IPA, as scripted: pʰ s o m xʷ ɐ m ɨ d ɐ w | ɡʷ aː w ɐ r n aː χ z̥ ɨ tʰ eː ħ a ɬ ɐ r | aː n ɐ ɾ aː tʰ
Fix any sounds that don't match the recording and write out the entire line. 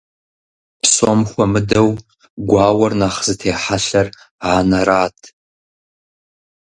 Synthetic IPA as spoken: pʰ s o m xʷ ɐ m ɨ d ɐ w | ɡʷ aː w ɐ r n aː χ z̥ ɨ tʰ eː ħ a ɬ ɐ r | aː n ɐ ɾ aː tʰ